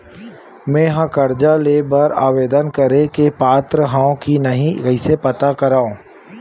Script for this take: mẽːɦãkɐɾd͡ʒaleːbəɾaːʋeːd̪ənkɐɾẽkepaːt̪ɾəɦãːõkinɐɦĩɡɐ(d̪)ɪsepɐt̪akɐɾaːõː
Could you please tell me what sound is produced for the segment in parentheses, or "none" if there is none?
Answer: none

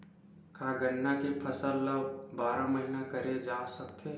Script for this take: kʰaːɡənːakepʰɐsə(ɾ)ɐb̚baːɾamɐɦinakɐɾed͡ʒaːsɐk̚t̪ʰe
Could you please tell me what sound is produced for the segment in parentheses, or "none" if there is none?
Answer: l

